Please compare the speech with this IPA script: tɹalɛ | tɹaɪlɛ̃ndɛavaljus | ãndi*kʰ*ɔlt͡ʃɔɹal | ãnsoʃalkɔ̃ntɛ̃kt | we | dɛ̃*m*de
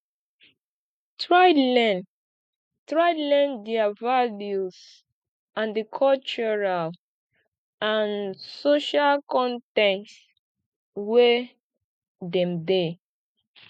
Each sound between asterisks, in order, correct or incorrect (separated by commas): correct, correct